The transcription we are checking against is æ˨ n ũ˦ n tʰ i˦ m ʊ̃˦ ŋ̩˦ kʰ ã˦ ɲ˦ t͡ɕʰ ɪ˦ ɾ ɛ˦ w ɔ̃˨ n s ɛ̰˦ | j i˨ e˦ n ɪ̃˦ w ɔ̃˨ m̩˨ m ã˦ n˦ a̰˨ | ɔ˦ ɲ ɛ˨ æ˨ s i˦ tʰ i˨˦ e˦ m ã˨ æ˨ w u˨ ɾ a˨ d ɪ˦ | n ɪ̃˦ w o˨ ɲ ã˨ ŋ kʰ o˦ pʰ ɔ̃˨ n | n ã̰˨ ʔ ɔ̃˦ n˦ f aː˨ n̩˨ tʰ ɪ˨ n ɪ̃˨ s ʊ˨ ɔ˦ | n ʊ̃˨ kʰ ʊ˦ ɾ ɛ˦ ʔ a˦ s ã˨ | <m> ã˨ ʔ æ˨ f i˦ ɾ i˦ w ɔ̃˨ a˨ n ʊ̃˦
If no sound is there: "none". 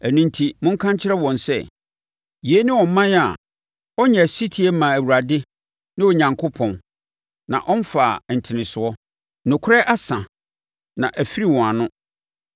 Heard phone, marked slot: n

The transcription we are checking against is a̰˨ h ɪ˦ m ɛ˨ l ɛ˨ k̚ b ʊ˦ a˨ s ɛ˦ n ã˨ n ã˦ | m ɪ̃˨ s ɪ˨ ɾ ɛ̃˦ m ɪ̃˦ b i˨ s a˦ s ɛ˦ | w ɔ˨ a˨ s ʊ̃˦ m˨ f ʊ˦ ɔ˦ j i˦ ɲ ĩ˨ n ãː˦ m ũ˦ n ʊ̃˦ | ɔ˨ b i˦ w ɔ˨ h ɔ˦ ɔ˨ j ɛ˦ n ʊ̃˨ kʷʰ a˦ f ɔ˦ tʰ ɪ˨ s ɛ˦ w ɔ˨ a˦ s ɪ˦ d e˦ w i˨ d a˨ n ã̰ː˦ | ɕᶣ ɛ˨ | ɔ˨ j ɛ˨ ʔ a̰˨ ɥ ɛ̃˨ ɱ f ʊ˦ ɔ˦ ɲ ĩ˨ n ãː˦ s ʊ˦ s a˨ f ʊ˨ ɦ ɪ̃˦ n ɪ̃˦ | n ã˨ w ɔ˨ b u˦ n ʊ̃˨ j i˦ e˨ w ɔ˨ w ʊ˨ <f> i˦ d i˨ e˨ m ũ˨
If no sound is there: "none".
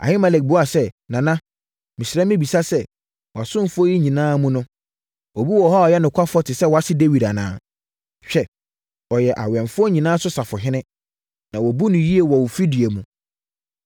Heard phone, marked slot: f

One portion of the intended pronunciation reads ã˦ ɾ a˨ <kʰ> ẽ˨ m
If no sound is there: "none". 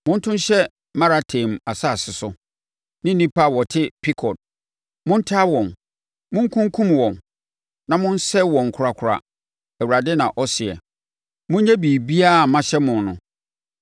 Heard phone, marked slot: tʰ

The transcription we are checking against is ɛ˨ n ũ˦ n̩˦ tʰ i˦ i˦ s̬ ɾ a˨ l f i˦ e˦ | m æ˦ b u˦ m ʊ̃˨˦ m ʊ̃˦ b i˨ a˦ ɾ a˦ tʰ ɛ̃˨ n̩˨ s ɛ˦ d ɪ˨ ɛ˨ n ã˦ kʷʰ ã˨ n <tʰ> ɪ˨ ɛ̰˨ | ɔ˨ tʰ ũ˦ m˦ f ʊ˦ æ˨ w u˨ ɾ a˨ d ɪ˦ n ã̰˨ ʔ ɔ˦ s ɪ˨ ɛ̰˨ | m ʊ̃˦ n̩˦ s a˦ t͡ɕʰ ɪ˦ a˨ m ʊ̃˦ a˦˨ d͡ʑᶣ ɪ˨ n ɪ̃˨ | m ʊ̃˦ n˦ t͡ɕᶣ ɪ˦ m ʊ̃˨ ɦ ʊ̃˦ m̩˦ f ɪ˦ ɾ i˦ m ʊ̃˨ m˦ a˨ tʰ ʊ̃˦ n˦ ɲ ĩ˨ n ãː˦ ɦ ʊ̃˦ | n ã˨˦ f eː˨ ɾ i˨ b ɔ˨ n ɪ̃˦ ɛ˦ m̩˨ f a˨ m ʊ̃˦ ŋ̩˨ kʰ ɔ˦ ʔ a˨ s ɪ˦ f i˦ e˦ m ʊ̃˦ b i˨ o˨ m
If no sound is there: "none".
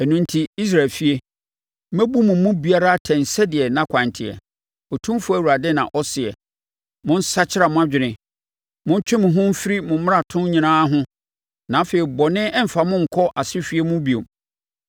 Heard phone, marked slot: tʰ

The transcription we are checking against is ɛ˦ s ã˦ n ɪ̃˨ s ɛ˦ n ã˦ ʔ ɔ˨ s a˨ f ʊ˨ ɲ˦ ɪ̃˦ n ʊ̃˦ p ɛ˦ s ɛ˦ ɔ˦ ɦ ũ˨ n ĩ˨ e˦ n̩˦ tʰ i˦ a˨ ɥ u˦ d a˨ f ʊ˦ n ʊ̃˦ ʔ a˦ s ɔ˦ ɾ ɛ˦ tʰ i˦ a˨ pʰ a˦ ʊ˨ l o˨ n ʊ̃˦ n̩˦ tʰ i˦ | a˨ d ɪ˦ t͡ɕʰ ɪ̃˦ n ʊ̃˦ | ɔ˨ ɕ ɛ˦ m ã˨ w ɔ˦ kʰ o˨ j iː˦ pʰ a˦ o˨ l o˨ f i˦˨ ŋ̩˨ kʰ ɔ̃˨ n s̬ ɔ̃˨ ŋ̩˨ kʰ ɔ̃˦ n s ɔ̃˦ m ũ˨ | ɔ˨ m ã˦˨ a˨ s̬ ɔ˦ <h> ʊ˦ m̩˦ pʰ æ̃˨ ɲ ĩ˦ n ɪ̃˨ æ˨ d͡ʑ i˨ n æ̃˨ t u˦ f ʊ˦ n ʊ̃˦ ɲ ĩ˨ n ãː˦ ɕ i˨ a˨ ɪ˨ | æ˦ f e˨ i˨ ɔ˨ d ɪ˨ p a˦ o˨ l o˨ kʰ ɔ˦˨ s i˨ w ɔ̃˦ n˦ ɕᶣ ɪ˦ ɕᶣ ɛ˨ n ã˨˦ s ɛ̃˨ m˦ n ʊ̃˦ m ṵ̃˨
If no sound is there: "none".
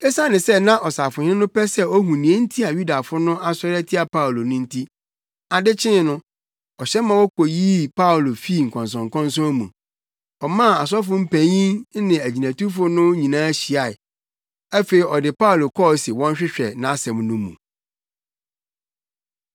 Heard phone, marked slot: f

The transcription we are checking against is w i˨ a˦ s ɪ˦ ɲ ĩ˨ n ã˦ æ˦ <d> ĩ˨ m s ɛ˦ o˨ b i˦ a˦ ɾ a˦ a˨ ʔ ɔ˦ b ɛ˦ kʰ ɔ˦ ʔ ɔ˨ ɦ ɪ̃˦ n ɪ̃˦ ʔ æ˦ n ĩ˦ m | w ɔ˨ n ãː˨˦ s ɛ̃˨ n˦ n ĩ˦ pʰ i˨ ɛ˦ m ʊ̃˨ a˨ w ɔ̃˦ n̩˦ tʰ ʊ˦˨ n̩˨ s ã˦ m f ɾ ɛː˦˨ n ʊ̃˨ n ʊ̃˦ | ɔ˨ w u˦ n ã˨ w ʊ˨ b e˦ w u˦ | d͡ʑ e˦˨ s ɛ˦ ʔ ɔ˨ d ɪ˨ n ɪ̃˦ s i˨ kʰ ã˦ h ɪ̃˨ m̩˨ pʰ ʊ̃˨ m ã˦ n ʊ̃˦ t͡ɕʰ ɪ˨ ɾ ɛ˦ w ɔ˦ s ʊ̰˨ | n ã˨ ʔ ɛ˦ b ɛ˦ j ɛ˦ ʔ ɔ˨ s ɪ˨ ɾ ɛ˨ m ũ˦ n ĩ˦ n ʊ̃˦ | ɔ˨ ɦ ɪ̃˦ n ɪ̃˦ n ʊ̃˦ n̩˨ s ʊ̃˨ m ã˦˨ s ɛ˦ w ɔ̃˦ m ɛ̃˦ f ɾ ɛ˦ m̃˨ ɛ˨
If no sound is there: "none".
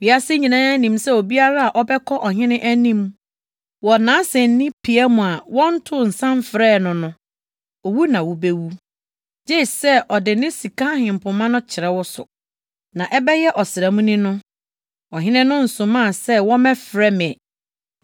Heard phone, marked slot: n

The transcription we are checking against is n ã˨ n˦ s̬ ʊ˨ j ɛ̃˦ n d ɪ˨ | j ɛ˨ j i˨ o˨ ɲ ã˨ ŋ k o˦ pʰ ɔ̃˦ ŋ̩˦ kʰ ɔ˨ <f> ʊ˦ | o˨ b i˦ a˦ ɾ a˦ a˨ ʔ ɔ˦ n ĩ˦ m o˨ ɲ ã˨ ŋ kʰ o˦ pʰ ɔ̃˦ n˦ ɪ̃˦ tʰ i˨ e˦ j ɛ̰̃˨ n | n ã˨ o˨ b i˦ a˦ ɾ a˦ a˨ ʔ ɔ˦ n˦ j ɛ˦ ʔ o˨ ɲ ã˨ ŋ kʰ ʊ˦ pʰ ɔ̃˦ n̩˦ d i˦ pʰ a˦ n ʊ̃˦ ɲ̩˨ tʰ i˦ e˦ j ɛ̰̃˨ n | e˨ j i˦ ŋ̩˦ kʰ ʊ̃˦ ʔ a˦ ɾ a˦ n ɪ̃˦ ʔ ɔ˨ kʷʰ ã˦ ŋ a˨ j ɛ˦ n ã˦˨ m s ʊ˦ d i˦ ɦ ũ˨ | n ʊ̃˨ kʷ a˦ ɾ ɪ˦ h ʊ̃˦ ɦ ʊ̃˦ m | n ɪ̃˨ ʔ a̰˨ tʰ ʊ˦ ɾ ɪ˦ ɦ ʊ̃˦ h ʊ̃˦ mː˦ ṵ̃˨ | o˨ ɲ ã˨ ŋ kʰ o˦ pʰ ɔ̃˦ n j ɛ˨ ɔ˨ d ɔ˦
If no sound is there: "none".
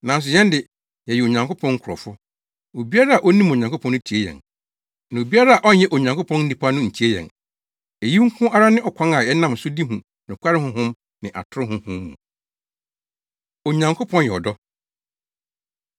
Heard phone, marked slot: f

